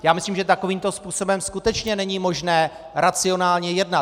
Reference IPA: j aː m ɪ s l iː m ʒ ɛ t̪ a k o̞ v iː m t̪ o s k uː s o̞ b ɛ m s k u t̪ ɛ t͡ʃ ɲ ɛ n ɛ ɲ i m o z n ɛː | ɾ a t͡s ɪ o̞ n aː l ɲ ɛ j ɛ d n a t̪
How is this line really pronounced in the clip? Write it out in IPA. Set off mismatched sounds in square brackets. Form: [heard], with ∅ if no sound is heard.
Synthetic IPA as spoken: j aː m ɪ s l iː m ʒ ɛ t̪ a k o̞ v iː m t̪ o s [p] uː s o̞ b ɛ m s k u t̪ ɛ t͡ʃ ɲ ɛ n ɛ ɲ i m o [ʒ] n ɛː | ɾ a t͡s ɪ o̞ n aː l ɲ ɛ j ɛ d n a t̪